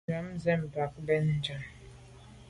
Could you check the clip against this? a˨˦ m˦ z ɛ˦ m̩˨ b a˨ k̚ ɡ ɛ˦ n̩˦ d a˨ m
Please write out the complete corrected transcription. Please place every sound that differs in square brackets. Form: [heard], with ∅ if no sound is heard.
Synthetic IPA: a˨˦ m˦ z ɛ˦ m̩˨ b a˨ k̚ [b] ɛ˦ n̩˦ [d͡ʒ] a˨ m

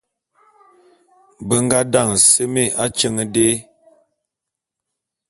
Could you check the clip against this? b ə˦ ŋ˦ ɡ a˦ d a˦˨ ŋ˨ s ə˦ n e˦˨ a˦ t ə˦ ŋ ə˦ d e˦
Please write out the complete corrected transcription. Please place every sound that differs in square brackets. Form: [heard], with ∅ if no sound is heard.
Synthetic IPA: b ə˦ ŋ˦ ɡ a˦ d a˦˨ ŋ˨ s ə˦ [m] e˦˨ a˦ [t͡ʃ] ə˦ ŋ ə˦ d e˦

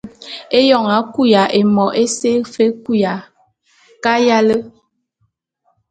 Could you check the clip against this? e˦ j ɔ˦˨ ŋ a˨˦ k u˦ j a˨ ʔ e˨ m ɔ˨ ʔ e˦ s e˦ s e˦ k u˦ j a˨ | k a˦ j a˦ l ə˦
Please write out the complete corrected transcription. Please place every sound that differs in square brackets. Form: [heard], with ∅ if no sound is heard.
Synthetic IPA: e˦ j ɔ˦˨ ŋ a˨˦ k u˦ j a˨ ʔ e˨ m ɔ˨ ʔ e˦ s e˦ [f] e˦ k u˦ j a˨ | k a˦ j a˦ l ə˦

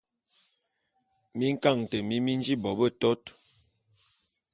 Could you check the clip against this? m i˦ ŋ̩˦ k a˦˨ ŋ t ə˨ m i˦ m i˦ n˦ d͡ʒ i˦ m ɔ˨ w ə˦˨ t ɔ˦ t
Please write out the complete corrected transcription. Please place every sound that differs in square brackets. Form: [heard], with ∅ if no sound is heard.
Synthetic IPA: m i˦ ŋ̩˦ k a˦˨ ŋ t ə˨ m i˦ m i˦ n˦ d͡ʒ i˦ [b] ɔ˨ [b] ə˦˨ t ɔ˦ t

